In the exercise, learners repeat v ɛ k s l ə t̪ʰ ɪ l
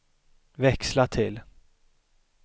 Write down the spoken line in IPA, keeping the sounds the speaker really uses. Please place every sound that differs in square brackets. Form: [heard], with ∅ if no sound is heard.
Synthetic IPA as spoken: v ɛ k s l [a] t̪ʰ ɪ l